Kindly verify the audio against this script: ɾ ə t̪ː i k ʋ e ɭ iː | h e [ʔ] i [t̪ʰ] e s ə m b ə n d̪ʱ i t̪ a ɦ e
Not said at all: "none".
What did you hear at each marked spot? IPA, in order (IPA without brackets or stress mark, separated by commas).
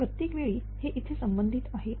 ʔ, t̪ʰ